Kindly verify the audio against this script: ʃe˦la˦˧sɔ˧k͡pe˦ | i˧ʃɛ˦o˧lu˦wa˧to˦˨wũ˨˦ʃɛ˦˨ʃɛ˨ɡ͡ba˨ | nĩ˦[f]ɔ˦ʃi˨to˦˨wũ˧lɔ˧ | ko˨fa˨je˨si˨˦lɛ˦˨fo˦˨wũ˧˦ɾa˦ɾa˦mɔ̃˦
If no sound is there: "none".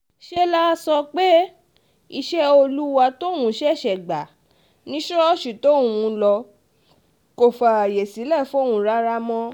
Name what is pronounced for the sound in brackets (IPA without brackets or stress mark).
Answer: ʃ